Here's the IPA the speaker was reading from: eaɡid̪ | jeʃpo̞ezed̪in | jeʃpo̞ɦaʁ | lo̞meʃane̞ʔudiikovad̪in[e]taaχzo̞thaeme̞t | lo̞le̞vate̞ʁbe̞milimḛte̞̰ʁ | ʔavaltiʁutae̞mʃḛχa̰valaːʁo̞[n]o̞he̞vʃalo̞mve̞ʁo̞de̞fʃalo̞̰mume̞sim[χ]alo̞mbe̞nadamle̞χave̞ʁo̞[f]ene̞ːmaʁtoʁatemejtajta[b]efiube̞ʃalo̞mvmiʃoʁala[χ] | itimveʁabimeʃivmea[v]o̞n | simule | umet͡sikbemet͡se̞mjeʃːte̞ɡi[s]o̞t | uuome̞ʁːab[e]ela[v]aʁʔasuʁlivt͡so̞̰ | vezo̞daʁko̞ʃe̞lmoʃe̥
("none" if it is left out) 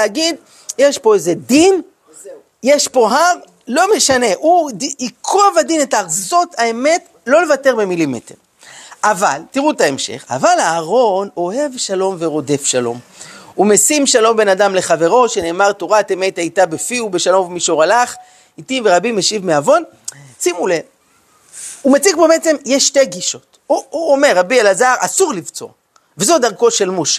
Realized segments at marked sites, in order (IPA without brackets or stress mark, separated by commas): e, n, ʃ, ʃ, b, χ, v, ʃ, i, z